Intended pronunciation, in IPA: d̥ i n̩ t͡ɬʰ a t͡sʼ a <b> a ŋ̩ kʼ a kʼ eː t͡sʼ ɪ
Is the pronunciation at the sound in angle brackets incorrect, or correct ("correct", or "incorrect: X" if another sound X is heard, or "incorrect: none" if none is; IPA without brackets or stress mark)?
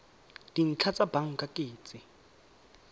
correct